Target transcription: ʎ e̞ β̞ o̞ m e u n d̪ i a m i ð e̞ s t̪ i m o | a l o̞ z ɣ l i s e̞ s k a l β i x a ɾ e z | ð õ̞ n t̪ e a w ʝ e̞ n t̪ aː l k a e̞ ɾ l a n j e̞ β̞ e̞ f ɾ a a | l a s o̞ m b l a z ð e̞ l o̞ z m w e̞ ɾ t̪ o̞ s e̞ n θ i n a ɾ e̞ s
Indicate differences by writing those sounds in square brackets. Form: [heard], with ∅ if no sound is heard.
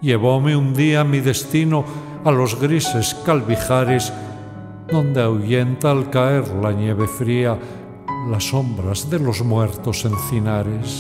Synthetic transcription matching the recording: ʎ e̞ β̞ o̞ m e u n d̪ i a m i ð e̞ s t̪ i [n] o | a l o̞ z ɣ [ɾ] i s e̞ s k a l β i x a ɾ e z | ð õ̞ n [d̪] e a w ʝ e̞ n t̪ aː l k a e̞ ɾ l a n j e̞ β̞ e̞ f ɾ [i] a | l a s o̞ m b [ɾ] a z ð e̞ l o̞ z m w e̞ ɾ t̪ o̞ s e̞ n θ i n a ɾ e̞ s